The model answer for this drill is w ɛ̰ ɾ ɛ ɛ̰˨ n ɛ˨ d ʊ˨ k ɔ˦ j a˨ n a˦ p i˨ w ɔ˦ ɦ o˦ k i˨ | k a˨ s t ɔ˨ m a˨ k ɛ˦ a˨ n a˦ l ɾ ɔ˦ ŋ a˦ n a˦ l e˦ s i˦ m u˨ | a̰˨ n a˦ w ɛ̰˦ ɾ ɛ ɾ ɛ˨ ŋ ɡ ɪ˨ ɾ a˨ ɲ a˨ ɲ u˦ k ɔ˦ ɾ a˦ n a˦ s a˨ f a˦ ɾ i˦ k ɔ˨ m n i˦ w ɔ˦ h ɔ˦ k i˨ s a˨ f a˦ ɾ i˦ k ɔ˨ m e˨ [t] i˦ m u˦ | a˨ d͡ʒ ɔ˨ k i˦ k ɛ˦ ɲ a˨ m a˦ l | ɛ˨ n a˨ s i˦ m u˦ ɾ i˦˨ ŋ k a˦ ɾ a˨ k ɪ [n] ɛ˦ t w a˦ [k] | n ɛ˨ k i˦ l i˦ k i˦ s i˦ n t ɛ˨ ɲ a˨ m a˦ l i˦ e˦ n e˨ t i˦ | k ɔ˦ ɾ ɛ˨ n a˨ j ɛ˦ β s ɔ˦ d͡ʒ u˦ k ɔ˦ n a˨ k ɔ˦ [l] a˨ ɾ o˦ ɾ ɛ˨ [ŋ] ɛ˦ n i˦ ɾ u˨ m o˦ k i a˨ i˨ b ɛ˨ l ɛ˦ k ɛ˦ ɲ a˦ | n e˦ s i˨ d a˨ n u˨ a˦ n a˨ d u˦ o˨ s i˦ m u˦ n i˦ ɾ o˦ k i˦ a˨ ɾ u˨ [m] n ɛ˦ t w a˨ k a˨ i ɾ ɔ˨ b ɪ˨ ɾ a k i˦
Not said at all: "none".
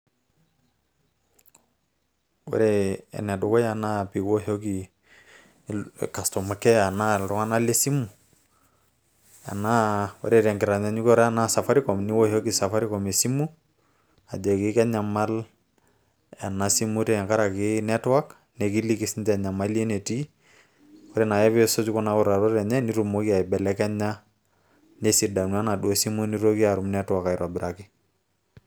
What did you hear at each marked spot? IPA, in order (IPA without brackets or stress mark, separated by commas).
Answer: s, n, k, ɾ, ɲ, m